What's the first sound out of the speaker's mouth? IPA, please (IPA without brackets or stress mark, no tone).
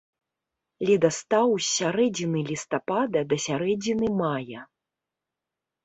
lʲ